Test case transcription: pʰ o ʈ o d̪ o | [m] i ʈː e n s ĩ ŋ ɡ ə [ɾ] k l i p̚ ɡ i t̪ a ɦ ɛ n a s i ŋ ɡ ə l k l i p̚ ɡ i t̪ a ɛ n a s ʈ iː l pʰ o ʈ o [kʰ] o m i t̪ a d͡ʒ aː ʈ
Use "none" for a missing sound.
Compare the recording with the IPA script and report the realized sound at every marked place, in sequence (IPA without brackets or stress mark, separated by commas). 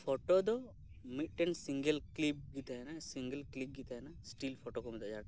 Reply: m, l, k